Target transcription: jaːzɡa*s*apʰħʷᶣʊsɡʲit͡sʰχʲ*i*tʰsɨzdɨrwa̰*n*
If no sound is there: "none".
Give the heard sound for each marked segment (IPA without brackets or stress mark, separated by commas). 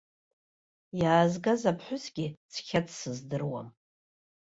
z, a, m